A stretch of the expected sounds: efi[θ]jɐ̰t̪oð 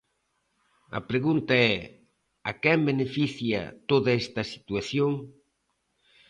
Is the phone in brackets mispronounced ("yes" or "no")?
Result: no